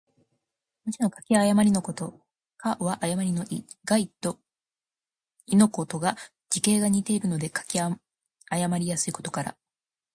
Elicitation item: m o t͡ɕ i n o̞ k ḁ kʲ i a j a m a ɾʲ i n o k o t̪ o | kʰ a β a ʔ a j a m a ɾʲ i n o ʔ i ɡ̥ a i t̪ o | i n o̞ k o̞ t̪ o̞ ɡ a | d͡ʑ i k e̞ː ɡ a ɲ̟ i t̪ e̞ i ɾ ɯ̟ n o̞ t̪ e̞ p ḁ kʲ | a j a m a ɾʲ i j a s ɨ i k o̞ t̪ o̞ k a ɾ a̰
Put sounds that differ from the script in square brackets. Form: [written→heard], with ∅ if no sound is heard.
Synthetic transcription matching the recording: m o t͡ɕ i n o̞ k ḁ kʲ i a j a m a ɾʲ i n o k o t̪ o | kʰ a β a ʔ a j a m a ɾʲ i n o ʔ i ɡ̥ a i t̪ o | i n o̞ k o̞ t̪ o̞ ɡ a | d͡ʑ i k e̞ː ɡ a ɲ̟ i t̪ e̞ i ɾ ɯ̟ n o̞ [t̪→d̪] e̞ [p→k] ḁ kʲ | a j a m a ɾʲ i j a s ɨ i k o̞ t̪ o̞ k a ɾ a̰